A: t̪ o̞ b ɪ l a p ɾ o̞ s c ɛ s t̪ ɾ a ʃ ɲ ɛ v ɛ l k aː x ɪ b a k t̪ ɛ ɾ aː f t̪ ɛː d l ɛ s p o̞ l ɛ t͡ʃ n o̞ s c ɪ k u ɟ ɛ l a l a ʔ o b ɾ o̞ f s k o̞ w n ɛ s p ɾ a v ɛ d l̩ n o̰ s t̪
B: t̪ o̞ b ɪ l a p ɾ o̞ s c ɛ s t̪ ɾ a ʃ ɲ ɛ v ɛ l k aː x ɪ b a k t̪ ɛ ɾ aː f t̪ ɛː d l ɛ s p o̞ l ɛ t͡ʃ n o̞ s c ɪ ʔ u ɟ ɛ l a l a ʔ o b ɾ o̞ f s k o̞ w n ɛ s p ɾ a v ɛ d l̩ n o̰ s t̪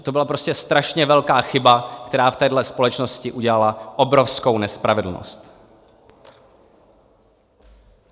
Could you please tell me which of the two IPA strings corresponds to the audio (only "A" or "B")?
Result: B